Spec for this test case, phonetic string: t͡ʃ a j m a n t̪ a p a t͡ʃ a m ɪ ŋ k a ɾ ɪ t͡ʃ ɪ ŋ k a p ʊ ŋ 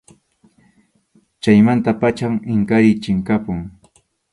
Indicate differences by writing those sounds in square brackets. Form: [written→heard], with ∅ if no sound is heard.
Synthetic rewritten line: t͡ʃ a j m a n t̪ a p a t͡ʃ a m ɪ ŋ k a ɾ ɪ t͡ʃ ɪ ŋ k a p ʊ ŋ